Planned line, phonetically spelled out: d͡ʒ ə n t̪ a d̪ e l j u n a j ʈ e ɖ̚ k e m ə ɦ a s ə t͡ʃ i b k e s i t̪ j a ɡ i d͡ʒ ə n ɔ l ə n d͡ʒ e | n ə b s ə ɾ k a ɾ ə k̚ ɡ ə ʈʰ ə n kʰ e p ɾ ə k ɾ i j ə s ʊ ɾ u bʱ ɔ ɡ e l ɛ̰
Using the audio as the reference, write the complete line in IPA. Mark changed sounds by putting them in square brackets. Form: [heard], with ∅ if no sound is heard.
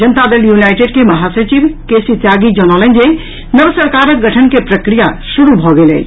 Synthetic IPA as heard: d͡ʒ ə n t̪ a d̪ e l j u n a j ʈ e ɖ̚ k e m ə ɦ a s ə t͡ʃ i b k e s i t̪ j a ɡ i d͡ʒ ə n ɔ l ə n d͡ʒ e | n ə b s ə ɾ k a ɾ ə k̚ ɡ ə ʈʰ ə n [k] e p ɾ ə k ɾ i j [a] s [u] ɾ u bʱ ɔ ɡ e l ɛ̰